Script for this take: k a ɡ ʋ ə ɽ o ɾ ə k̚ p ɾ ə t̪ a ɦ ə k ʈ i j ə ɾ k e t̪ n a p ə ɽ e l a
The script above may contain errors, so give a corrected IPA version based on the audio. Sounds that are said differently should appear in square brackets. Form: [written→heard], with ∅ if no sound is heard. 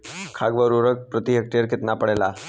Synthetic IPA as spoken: [k→kʰ] a ɡ ʋ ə [ɽ→ɾ] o ɾ ə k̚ p ɾ ə t̪ [a→i] ɦ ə k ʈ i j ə ɾ k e t̪ n a p ə ɽ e l a

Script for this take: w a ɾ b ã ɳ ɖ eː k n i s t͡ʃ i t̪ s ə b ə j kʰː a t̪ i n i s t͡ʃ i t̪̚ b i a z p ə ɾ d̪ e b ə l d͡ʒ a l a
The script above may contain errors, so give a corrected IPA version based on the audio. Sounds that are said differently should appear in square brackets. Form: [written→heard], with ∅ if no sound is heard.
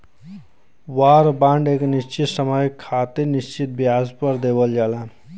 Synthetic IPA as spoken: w a ɾ b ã ɳ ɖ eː k n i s t͡ʃ i t̪ s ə [b→m] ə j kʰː a t̪ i n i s t͡ʃ i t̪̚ b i a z p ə ɾ d̪ e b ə l d͡ʒ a l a

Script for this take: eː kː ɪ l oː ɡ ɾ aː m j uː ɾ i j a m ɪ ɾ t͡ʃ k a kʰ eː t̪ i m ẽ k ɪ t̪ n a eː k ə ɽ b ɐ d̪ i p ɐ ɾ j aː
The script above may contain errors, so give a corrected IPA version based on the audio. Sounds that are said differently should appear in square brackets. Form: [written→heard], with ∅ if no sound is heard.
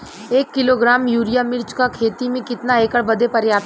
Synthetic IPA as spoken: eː kː ɪ l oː ɡ ɾ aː m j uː ɾ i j a m ɪ ɾ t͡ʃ k a kʰ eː t̪ i m ẽ k ɪ t̪ n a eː k ə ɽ b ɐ d̪ [i→e] p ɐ ɾ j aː

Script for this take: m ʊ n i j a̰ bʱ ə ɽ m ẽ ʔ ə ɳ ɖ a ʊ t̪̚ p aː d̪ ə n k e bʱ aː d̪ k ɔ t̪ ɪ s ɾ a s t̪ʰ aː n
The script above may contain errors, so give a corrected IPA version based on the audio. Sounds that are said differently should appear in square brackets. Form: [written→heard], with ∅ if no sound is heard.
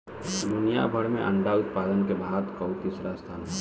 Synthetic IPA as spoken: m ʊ n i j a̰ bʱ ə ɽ m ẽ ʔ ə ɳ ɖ a ʊ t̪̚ p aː d̪ ə n k e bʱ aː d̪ k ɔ t̪ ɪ s ɾ a s t̪ʰ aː n

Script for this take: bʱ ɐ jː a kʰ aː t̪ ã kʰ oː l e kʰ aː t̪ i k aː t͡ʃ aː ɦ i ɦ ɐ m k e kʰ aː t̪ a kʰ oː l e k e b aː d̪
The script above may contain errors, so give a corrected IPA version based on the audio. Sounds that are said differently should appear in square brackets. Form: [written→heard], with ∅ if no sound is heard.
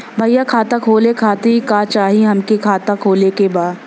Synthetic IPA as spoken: bʱ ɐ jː a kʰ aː t̪ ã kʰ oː l e kʰ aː t̪ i k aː t͡ʃ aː ɦ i ɦ ɐ m k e kʰ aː t̪ a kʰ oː l e k e b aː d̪

